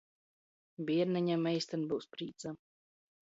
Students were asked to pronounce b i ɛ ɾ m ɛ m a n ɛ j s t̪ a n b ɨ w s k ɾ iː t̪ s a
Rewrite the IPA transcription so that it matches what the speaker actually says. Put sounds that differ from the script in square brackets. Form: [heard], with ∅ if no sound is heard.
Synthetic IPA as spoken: b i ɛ ɾ [n] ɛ [ɲ] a [m] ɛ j s t̪ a n b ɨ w s [p] ɾ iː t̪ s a